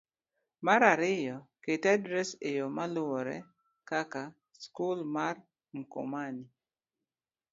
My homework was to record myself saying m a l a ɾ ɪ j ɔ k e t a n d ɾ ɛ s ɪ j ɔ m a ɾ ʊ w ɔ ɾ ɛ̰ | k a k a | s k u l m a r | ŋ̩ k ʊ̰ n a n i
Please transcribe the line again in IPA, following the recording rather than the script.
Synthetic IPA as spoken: m a ɾ a ɾ ɪ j ɔ k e t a d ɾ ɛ s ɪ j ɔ m a l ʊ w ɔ ɾ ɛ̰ | k a k a | s k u l m a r | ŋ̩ k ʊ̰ m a n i